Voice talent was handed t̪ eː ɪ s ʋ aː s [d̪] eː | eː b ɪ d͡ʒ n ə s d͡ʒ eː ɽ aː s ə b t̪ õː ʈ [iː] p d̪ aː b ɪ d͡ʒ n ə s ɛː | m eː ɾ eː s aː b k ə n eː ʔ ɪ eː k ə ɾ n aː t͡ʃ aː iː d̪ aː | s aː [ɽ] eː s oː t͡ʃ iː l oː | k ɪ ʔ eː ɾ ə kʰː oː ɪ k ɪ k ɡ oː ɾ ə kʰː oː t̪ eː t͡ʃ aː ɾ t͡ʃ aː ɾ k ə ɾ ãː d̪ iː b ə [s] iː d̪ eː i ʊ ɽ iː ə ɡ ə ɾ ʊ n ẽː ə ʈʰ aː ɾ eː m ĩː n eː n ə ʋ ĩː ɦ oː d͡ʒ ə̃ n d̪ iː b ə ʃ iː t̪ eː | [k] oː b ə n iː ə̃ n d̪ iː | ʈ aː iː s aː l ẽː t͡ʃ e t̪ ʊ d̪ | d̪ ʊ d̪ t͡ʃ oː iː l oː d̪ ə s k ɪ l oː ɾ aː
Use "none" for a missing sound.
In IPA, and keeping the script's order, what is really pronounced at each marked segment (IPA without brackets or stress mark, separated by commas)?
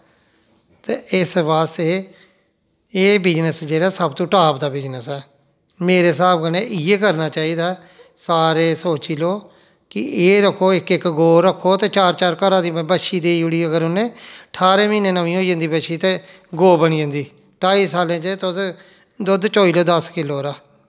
t̪, aː, ɾ, ʃ, ɡ